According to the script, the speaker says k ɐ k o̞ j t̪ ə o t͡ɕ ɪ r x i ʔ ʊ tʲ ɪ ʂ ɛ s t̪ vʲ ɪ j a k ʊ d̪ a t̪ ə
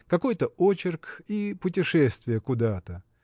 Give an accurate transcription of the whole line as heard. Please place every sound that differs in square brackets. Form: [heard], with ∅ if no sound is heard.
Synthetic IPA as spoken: k ɐ k o̞ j t̪ ə o t͡ɕ ɪ r [k] i [p] ʊ tʲ ɪ ʂ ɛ s t̪ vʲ ɪ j [ə] k ʊ d̪ a t̪ ə